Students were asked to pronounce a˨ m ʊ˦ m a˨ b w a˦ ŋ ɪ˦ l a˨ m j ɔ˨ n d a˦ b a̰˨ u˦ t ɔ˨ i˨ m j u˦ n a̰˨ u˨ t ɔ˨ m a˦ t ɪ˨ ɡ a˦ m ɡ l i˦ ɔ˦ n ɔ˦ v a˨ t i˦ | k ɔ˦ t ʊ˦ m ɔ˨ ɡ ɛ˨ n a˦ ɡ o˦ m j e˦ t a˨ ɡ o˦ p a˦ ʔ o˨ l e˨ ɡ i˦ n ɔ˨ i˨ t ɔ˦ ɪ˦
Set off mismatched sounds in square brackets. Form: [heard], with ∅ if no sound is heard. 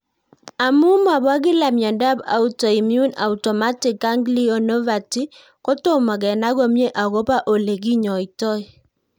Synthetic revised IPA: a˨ m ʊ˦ m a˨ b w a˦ [ɡ] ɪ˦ l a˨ m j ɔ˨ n d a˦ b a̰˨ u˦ t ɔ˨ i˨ m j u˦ n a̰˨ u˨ t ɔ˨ m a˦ t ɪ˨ [k] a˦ [ŋ] ɡ l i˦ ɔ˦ n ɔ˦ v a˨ t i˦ | k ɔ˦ t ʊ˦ m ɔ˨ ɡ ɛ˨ n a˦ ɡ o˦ m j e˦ [ʔ] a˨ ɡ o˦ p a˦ ʔ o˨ l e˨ ɡ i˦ [ɲ] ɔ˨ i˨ t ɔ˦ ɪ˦